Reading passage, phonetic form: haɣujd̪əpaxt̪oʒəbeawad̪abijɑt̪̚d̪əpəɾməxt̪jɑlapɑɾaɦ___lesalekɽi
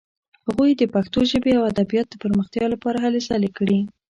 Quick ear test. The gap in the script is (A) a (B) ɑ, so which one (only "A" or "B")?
A